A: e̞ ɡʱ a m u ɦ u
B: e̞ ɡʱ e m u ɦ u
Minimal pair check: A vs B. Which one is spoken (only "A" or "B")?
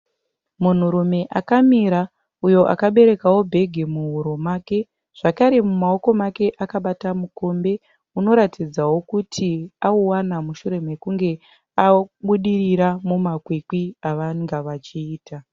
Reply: B